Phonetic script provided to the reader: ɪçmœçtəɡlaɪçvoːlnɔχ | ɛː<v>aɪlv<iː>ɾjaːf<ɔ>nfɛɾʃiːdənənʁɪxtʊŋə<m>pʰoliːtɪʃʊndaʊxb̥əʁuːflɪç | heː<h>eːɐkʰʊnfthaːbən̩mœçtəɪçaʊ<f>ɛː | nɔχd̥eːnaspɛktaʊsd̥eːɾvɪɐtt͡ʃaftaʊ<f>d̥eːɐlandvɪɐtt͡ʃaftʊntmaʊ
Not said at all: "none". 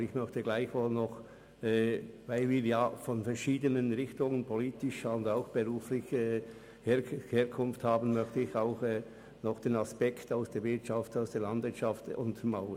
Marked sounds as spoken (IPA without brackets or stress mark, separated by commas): v, iː, ɔ, n, h, x, s